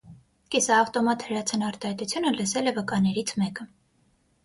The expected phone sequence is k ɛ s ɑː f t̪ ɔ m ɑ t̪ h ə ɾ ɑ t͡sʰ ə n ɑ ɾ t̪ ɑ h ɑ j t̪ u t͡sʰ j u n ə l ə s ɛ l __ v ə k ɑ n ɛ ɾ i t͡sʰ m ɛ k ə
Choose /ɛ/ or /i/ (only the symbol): ɛ